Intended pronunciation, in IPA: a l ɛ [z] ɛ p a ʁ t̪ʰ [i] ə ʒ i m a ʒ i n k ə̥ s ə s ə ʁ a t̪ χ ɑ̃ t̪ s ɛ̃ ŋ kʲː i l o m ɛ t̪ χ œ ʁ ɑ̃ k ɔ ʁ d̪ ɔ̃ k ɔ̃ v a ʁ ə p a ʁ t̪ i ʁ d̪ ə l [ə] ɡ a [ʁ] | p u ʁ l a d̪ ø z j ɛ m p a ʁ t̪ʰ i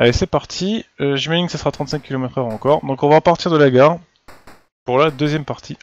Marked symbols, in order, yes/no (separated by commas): no, yes, no, yes